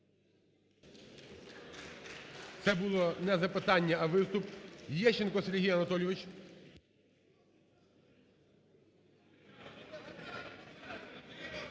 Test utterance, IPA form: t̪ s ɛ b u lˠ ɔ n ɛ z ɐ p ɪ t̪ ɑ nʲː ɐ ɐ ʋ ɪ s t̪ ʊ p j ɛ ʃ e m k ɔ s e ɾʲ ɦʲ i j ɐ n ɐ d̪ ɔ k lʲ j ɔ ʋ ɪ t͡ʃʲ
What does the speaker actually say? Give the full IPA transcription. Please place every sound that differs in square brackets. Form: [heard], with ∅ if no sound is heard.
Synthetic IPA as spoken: t̪ s ɛ b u lˠ ɔ n ɛ z ɐ p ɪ t̪ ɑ nʲː ɐ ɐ ʋ ɪ s t̪ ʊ p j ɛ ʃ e [n] k ɔ s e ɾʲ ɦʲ i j ɐ n ɐ [t̪] ɔ [∅] lʲ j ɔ ʋ ɪ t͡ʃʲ